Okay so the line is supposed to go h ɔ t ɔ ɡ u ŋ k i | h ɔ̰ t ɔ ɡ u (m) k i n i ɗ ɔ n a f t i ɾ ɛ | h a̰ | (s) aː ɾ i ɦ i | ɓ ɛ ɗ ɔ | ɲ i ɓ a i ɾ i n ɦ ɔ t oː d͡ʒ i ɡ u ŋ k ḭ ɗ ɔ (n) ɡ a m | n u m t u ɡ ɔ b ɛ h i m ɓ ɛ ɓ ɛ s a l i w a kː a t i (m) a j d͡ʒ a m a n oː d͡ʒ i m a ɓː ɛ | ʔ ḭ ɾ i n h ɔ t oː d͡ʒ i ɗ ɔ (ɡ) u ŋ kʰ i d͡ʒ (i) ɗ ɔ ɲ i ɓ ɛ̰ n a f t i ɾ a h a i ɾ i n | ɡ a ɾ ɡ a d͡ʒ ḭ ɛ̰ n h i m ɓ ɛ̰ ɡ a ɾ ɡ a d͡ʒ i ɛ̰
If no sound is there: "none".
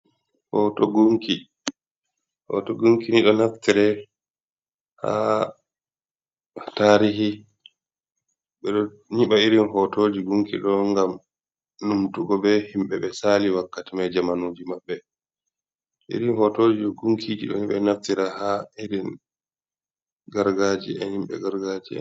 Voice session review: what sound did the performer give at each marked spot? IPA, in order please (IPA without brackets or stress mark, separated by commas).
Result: ŋ, t, ŋ, m, ɡ, i